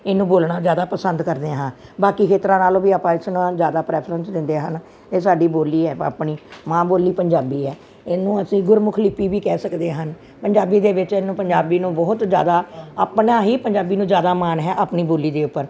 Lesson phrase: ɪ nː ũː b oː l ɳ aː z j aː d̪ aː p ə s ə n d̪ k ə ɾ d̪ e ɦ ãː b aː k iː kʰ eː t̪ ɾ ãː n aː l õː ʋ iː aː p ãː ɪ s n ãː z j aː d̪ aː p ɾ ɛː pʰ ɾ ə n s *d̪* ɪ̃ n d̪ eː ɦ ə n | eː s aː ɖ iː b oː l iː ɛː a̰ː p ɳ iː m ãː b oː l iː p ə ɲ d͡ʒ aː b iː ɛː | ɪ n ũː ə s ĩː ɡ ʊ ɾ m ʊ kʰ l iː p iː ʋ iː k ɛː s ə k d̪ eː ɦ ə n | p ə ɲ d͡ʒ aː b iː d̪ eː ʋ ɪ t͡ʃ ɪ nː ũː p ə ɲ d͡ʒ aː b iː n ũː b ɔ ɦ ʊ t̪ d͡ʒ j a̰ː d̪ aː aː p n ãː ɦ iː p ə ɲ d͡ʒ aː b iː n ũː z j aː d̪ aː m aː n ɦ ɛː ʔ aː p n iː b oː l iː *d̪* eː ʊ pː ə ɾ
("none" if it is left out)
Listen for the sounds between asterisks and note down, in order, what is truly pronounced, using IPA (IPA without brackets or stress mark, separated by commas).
d̪, d̪